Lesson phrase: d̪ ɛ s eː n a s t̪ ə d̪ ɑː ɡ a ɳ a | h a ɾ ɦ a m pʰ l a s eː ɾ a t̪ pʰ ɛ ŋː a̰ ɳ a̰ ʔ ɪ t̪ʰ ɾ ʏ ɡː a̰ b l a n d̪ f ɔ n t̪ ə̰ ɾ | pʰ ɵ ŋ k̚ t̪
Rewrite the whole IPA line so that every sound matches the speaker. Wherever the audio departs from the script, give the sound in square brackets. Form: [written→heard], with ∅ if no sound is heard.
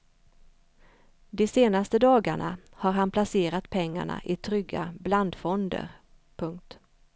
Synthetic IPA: d̪ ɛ s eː n a s t̪ ə d̪ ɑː ɡ a ɳ a | h a ɾ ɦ a [m→n] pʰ l a s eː ɾ a t̪ pʰ ɛ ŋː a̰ ɳ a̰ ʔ ɪ t̪ʰ ɾ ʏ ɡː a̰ b l a n d̪ f ɔ n [t̪→d̪] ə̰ ɾ | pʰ ɵ ŋ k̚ t̪